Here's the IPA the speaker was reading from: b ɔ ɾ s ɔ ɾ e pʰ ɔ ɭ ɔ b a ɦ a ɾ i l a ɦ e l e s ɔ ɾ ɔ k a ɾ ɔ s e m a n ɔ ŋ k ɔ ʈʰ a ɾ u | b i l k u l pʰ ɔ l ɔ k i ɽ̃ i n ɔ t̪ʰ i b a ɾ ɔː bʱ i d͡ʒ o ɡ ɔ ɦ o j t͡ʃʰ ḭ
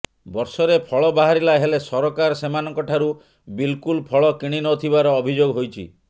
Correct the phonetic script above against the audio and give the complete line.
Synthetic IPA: b ɔ ɾ s ɔ ɾ e pʰ ɔ ɭ ɔ b a ɦ a ɾ i l a ɦ e l e s ɔ ɾ ɔ k a ɾ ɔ s e m a n ɔ ŋ k ɔ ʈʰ a ɾ u | b i l k u l pʰ ɔ ɭ ɔ k i ɽ̃ i n ɔ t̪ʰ i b a ɾ ɔː bʱ i d͡ʒ o ɡ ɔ ɦ o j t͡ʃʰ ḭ